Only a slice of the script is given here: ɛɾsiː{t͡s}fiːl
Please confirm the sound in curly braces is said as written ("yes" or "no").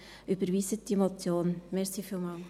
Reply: no